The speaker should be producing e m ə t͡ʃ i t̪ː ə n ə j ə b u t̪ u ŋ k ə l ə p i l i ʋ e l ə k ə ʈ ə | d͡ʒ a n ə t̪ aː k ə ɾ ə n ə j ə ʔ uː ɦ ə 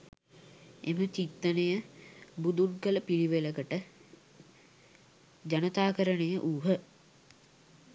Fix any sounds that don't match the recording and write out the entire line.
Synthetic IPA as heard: e m ə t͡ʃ i t̪ː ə n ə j ə b u d̪ u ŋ k ə l ə p i l i ʋ e l ə k ə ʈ ə | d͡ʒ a n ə t̪ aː k ə ɾ ə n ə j ə ʔ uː ɦ ə